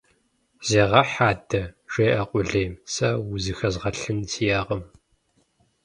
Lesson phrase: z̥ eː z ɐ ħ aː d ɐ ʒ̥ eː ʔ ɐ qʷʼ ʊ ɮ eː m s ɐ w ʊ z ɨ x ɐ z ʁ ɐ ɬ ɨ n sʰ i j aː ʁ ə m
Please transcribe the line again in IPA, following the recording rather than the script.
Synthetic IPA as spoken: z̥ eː ʁ ɐ ħ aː d ɐ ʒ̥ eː ʔ ɐ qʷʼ ʊ ɮ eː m s ɐ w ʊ z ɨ x ɐ z ʁ ɐ ɬ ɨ n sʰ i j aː ʁ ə m